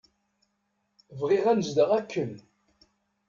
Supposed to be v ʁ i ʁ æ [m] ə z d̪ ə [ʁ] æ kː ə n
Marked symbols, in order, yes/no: no, yes

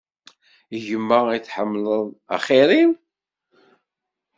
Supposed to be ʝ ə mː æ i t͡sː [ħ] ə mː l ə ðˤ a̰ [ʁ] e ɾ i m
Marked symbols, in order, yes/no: yes, no

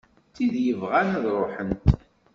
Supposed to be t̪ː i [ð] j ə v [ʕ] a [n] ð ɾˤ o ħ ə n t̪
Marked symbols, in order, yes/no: yes, no, yes

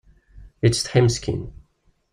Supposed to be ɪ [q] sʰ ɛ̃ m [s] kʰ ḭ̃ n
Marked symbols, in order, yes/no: no, yes

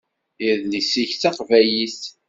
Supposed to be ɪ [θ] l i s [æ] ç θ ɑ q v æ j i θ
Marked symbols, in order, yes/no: no, no

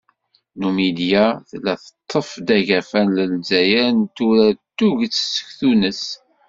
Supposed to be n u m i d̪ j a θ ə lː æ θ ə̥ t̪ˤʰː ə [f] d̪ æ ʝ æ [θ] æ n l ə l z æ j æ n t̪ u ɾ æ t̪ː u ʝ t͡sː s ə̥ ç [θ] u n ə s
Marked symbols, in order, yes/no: yes, no, yes

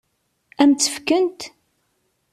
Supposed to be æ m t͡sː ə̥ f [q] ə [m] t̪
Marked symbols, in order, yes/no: no, no

